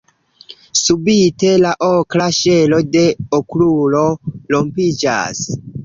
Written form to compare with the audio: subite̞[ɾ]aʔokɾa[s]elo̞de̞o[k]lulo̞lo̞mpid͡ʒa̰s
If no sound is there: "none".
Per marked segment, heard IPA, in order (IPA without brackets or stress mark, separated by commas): l, ʃ, k